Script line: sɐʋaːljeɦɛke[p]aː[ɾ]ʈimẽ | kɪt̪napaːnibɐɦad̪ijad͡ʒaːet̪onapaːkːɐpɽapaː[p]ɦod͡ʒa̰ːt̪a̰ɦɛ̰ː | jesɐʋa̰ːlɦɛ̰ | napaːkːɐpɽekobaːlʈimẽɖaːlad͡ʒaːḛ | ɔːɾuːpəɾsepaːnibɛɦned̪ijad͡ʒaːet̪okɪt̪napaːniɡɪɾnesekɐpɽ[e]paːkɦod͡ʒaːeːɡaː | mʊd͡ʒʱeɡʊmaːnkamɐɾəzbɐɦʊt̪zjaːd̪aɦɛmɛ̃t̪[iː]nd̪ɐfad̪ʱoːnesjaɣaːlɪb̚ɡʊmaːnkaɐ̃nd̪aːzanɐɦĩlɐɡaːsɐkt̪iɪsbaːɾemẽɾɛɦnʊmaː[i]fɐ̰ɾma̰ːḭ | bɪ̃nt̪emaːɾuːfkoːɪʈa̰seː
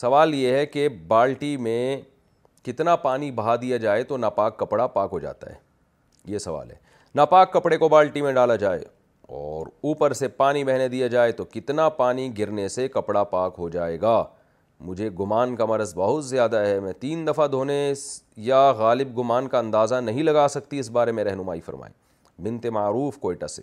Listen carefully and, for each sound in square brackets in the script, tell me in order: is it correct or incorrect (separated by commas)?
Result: incorrect, incorrect, incorrect, incorrect, correct, correct